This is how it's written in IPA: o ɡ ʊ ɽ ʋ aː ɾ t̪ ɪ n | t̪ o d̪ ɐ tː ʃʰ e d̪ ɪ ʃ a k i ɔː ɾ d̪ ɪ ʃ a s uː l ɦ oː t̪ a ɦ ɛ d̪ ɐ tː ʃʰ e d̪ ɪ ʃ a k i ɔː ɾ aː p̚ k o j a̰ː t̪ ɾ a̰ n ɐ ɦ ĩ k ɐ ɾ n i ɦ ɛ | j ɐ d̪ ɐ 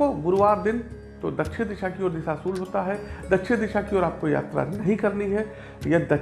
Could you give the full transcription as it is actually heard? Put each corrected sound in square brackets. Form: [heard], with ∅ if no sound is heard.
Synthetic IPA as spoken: o ɡ ʊ [ɾ] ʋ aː ɾ [d̪] ɪ n | t̪ o d̪ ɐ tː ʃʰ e d̪ ɪ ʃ a k i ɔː ɾ d̪ ɪ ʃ a s uː l ɦ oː t̪ a ɦ ɛ d̪ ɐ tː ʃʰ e d̪ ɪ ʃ a k i ɔː ɾ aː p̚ k o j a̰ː t̪ ɾ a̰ n ɐ ɦ ĩ k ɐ ɾ n i ɦ ɛ | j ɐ d̪ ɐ